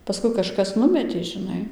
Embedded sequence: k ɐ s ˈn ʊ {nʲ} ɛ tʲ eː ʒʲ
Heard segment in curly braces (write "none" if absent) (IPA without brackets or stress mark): mʲ